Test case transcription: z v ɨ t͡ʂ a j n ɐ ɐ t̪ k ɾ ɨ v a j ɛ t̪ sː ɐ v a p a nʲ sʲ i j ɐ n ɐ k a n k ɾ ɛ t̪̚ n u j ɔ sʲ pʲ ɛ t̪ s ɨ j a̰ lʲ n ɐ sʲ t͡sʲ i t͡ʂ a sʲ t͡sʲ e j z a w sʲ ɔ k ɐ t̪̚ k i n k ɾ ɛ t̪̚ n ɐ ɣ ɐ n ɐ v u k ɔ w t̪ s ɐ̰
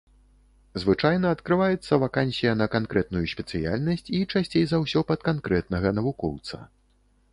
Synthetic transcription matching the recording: z v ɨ t͡ʂ a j n ɐ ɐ t̪ k ɾ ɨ v a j ɛ t̪ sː ɐ v a k a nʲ sʲ i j ɐ n ɐ k a n k ɾ ɛ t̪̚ n u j u sʲ pʲ ɛ t̪ s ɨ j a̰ lʲ n ɐ sʲ t͡sʲ i t͡ʂ a sʲ t͡sʲ e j z a w sʲ ɔ p ɐ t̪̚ k a n k ɾ ɛ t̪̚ n ɐ ɣ ɐ n ɐ v u k ɔ w t̪ s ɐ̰

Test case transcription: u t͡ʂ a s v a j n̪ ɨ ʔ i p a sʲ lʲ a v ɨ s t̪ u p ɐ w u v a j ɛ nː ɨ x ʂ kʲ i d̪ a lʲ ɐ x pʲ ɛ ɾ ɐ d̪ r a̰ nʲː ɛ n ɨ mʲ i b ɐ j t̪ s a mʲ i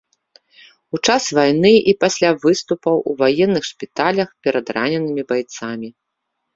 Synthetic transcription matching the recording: u t͡ʂ a s v a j n̪ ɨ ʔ i p a sʲ lʲ a v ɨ s t̪ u p ɐ w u v a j ɛ nː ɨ x ʂ pʲ i t̪ a lʲ ɐ x pʲ ɛ ɾ ɐ d̪ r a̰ nʲ ɛ n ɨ mʲ i b a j t̪ s a mʲ i

